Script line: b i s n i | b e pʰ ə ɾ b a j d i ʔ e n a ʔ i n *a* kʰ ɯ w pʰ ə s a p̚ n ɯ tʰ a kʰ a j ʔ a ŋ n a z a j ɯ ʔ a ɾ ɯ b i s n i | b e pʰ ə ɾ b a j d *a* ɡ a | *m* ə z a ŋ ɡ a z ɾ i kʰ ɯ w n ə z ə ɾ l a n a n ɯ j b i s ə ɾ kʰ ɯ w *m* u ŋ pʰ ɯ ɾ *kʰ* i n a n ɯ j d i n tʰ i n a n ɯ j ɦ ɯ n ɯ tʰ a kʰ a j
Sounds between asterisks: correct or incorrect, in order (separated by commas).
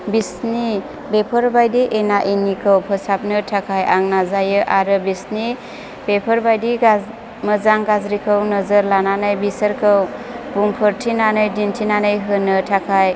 incorrect, incorrect, correct, incorrect, incorrect